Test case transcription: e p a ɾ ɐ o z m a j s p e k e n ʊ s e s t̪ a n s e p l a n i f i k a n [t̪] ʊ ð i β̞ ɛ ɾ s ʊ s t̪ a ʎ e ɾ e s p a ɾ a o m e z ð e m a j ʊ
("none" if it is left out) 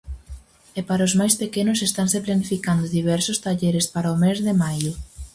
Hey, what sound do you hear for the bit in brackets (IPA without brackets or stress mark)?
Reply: d̪